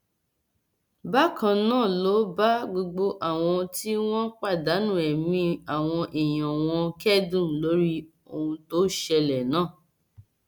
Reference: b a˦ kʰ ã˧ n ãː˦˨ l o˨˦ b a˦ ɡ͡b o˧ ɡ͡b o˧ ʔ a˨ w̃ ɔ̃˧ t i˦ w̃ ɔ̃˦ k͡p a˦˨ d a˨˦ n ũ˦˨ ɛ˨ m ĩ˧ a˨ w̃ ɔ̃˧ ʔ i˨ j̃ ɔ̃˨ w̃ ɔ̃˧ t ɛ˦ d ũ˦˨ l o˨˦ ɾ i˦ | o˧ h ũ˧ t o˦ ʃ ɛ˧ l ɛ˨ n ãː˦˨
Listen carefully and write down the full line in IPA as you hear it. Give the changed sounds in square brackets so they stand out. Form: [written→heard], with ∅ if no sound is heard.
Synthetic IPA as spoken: b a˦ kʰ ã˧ n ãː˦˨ l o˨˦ b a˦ ɡ͡b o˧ ɡ͡b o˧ ʔ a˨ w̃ ɔ̃˧ t i˦ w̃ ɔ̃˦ k͡p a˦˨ d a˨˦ n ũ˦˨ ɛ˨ m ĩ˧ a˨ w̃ ɔ̃˧ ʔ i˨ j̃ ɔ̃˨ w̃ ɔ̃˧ [t→k] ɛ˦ d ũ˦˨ l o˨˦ ɾ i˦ | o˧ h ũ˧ t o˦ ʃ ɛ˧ l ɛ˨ n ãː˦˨

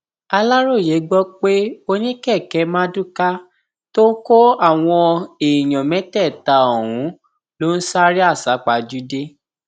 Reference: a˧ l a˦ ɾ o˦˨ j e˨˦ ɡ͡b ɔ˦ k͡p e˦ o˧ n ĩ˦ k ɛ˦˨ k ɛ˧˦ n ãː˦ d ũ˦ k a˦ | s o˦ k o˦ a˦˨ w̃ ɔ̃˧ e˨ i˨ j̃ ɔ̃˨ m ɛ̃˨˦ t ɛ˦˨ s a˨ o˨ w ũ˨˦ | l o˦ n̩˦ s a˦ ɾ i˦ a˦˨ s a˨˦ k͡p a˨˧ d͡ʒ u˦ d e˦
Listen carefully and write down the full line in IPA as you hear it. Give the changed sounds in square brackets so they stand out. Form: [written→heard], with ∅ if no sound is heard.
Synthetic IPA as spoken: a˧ l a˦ ɾ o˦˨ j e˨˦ ɡ͡b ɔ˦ k͡p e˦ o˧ n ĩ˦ k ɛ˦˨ k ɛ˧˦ [n→m] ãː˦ d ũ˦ k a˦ | [s→t] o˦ k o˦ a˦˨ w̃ ɔ̃˧ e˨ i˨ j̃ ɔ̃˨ m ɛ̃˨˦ t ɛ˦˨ [s→t] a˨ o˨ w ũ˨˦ | l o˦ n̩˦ s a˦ ɾ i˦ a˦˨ s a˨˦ k͡p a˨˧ d͡ʒ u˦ d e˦

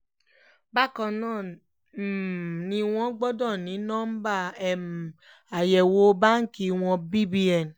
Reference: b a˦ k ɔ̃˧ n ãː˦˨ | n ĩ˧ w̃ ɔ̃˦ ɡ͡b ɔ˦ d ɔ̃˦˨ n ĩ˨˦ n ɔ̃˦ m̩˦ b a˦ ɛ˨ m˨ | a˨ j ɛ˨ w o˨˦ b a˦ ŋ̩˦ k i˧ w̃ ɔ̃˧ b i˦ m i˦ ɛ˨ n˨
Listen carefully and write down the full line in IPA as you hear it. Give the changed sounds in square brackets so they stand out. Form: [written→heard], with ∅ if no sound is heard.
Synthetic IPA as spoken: b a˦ k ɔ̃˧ n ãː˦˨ | n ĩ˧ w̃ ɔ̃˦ ɡ͡b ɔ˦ d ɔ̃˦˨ n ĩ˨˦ n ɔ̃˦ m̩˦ b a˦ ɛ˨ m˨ | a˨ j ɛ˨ w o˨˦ b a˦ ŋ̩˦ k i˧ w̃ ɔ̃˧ b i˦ [m→b] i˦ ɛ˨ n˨

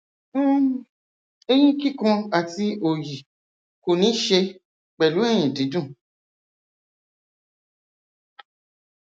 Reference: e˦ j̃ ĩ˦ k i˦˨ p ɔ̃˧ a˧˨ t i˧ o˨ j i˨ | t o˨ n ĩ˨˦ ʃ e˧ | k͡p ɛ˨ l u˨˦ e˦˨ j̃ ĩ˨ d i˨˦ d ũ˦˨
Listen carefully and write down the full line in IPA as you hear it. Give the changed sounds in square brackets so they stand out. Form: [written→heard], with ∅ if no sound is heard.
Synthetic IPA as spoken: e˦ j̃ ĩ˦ k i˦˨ [p→k] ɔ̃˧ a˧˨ t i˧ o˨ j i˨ | [t→k] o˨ n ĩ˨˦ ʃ e˧ | k͡p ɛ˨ l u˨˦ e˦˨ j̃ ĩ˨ d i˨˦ d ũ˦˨

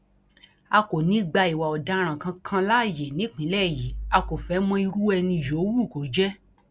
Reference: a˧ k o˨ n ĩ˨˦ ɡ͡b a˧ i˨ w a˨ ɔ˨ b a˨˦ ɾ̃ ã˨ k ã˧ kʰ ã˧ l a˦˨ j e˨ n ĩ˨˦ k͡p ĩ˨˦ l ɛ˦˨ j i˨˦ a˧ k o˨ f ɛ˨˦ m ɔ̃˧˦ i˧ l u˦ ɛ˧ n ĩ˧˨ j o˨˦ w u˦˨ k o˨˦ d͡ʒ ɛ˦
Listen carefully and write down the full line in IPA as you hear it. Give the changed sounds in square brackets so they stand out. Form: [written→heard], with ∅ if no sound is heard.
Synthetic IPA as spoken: a˧ k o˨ n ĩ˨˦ ɡ͡b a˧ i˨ w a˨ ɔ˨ [b→d] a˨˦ ɾ̃ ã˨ k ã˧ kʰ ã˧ l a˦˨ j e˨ n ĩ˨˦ k͡p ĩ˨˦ l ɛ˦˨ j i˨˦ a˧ k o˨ f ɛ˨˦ m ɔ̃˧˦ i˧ [l→ɾ] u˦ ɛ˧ n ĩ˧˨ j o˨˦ w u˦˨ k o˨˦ d͡ʒ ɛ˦

